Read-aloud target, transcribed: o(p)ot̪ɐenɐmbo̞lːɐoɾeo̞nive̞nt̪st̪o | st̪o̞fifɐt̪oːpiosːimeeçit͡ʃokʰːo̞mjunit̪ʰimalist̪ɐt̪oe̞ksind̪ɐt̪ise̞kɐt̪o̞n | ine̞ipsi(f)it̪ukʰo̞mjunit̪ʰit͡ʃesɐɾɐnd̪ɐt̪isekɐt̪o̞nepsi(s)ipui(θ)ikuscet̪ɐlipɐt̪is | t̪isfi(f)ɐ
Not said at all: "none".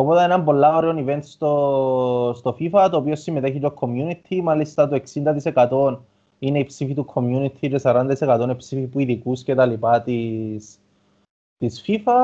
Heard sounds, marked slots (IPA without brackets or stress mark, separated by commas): p, f, f, ð, f